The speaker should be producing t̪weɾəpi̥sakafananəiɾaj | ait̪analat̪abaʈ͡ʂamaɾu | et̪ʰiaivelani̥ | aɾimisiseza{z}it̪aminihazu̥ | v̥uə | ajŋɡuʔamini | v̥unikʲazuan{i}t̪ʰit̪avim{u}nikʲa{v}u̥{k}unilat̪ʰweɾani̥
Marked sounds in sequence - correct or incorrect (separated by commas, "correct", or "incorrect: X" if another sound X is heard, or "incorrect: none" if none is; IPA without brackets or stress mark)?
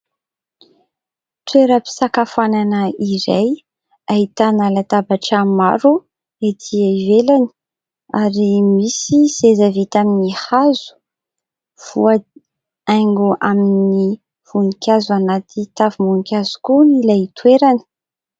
incorrect: v, incorrect: a, correct, incorrect: z, correct